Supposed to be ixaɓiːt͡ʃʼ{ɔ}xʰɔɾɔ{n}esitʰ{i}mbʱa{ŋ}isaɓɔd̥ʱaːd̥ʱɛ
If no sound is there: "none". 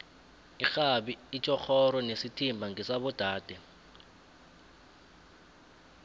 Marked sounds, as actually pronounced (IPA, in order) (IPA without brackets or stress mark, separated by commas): ɔ, n, i, ŋ